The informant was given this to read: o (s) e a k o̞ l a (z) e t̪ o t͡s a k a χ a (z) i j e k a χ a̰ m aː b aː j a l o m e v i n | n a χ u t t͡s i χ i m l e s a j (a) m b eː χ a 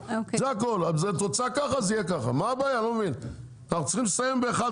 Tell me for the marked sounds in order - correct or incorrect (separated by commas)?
incorrect, correct, correct, incorrect